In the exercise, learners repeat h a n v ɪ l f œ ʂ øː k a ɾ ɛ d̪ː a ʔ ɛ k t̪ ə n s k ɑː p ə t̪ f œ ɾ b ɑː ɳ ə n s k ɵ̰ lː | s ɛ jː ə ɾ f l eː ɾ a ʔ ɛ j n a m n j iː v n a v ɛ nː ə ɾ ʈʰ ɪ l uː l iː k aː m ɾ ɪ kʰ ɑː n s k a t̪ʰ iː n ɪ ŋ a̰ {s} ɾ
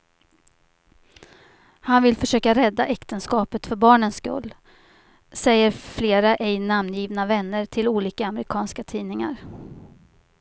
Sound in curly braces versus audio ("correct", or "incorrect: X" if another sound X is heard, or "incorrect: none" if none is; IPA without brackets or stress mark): incorrect: none